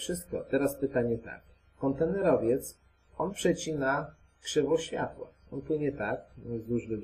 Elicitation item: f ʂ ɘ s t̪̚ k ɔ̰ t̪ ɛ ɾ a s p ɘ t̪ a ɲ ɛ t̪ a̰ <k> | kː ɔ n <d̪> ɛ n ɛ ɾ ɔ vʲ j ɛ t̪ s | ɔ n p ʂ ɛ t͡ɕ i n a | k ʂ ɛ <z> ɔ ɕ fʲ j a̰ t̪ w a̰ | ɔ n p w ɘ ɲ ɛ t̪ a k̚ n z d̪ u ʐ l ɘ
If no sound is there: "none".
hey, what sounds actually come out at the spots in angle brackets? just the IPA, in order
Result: k, t̪, v

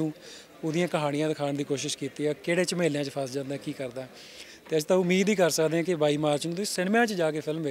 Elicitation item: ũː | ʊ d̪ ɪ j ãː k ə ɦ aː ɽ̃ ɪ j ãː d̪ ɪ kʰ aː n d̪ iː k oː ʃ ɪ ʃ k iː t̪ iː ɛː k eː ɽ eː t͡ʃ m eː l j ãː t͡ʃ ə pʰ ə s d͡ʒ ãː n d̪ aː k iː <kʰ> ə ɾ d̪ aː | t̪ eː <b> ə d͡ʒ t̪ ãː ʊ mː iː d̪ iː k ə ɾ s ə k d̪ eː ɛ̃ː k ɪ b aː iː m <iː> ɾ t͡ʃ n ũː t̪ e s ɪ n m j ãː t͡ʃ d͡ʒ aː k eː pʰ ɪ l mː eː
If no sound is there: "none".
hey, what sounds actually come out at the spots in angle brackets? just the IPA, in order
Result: k, none, aː

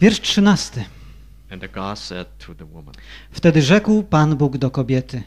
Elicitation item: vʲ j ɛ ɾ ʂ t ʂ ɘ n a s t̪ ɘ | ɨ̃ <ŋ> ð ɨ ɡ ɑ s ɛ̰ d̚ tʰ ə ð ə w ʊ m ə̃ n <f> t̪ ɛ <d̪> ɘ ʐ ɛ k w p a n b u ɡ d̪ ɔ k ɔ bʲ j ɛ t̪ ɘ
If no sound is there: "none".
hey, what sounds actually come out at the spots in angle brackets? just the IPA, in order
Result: n, f, d̪

